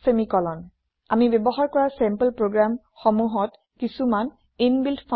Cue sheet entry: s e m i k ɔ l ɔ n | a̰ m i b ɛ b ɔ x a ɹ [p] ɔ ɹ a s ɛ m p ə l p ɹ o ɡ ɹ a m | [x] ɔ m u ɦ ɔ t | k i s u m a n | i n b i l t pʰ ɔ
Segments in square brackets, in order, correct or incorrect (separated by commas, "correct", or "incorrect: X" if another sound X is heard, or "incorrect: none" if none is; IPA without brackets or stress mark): incorrect: k, correct